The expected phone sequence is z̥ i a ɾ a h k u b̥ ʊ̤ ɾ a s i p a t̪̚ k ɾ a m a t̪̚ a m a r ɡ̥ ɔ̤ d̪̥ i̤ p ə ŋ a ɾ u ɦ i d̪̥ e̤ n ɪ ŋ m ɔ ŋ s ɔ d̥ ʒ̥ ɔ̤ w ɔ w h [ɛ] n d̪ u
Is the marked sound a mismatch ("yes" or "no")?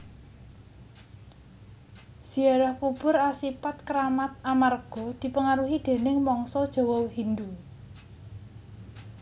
yes